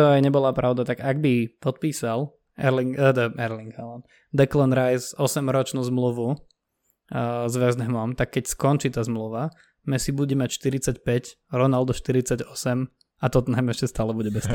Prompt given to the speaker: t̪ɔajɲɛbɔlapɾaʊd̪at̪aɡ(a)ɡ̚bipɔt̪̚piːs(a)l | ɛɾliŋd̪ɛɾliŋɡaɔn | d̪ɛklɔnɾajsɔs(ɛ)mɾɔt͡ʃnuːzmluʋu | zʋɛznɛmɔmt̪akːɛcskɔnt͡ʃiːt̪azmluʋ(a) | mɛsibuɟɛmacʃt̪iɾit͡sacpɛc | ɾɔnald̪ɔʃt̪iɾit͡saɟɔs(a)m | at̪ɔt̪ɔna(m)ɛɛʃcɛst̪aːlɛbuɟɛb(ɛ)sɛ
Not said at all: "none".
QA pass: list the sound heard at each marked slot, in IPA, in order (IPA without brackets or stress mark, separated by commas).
a, a, ɛ, a, ɛ, m, ɛ